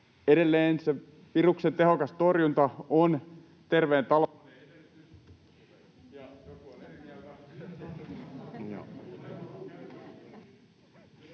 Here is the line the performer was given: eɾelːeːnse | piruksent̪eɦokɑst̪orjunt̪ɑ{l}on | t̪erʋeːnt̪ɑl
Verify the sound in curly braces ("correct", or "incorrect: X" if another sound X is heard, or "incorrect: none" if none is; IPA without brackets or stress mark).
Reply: incorrect: none